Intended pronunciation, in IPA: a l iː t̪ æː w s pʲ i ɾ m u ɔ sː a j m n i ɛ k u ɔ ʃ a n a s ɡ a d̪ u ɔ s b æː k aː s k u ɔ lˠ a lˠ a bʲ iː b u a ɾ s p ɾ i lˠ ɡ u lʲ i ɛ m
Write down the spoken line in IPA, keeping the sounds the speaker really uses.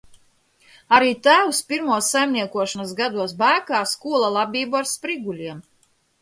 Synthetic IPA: a ɾ iː t̪ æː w s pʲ i ɾ m u ɔ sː a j m n i ɛ k u ɔ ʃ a n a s ɡ a d̪ u ɔ s b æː k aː s k u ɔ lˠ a lˠ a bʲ iː b u a ɾ s p ɾ i ɡ u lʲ i ɛ m

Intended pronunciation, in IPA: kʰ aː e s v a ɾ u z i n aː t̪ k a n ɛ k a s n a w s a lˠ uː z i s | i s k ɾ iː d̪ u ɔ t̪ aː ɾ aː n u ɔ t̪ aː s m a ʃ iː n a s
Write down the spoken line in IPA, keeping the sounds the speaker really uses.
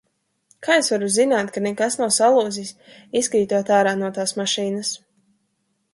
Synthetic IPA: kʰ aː e s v a ɾ u z i n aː t̪ k a n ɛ k a s n a w s a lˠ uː z i s | i s k ɾ iː t̪ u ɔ t̪ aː ɾ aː n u ɔ t̪ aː s m a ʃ iː n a s

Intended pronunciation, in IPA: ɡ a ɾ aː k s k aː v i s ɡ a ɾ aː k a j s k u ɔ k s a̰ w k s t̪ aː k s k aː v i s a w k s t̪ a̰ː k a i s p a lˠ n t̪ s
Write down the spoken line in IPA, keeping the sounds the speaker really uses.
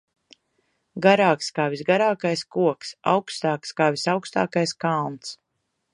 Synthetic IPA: ɡ a ɾ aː k s k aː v i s ɡ a ɾ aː k a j s k u ɔ k s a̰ w k s t̪ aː k s k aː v i s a w k s t̪ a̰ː k a j s k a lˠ n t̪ s

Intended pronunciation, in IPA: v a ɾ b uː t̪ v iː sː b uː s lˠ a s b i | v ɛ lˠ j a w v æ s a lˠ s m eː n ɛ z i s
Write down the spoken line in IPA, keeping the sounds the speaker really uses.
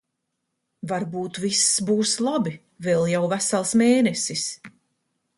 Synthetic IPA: v a ɾ b uː t̪ v i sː b uː s lˠ a b i | v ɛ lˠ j a w v æ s a lˠ s m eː n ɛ s i s

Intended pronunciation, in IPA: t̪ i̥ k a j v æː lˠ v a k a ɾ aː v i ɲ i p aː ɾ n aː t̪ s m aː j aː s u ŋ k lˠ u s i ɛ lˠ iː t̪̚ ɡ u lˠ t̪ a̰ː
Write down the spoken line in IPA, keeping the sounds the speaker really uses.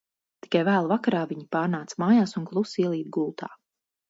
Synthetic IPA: t̪ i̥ k a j v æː lˠ v a k a ɾ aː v i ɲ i p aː ɾ n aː t̪ s m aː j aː s u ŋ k lˠ u s i ɛ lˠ iː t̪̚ ɡ u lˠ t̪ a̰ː

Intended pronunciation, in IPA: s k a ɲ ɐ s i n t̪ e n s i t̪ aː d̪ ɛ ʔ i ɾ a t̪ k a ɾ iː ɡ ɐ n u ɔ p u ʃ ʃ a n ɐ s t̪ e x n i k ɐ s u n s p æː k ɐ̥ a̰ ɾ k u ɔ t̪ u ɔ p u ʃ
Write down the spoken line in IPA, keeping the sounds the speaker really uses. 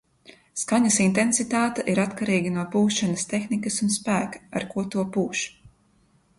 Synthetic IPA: s k a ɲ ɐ s i n t̪ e n s i t̪ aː t̪ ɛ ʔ i ɾ a t̪ k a ɾ iː ɡ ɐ n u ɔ p uː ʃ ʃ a n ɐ s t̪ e x n i k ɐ s u n s p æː k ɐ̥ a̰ ɾ k u ɔ t̪ u ɔ p uː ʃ

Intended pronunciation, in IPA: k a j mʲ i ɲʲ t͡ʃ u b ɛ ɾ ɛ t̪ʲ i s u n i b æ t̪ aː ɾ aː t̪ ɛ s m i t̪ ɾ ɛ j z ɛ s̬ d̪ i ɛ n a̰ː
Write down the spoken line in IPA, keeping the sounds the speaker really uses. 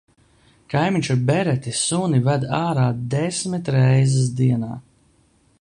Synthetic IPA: k a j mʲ i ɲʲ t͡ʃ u b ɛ ɾ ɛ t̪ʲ i s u n i v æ d̪ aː ɾ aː d̪ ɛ s m i t̪ ɾ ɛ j z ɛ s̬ d̪ i ɛ n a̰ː

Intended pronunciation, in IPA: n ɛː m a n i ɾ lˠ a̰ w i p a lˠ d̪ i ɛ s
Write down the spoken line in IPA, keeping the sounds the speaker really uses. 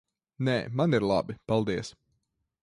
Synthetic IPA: n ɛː m a n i ɾ lˠ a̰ b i p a lˠ d̪ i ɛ s

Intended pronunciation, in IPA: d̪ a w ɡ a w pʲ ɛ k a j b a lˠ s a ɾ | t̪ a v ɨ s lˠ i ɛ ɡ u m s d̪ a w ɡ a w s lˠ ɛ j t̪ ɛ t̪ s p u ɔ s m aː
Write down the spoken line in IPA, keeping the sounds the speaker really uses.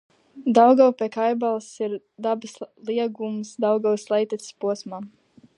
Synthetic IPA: d̪ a w ɡ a w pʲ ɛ k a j b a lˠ s i ɾ | d̪ a b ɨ s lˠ i ɛ ɡ u m s d̪ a w ɡ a w s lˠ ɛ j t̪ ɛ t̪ s p u ɔ s m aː

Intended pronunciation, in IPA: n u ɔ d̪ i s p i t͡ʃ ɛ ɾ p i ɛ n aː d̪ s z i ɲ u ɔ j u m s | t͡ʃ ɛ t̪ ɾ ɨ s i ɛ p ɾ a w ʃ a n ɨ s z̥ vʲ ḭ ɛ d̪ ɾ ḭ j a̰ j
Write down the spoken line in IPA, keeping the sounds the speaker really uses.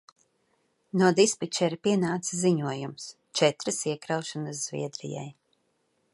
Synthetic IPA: n u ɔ d̪ i s p i t͡ʃ ɛ ɾ p i ɛ n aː t̪ s z i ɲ u ɔ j u m s | t͡ʃ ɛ t̪ ɾ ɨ s i ɛ k ɾ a w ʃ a n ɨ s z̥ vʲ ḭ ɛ d̪ ɾ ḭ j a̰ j

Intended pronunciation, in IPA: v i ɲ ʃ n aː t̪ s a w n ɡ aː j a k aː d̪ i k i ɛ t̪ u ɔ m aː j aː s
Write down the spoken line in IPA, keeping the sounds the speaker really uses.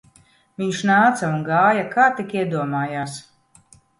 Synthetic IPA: v i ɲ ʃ n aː t̪ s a u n ɡ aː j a k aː t̪ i k i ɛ d̪ u ɔ m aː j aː s

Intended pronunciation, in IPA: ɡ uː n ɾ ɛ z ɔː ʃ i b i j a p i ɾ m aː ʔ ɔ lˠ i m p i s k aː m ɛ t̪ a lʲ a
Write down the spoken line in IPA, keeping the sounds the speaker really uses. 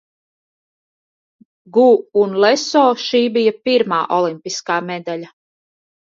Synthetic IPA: ɡ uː n l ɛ s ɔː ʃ iː b i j a p i ɾ m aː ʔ ɔ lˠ i m p i s k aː m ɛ d̪ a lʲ a

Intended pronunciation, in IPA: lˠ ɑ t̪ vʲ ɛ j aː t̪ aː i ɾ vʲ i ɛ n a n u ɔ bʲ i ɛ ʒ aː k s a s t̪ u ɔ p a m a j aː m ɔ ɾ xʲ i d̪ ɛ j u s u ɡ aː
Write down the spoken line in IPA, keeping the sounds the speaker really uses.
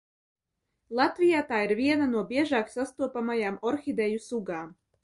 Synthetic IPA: lˠ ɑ t̪ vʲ i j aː t̪ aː i ɾ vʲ i ɛ n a n u ɔ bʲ i ɛ ʒ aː k s a s t̪ u ɔ p a m a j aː m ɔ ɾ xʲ i d̪ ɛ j u s u ɡ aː

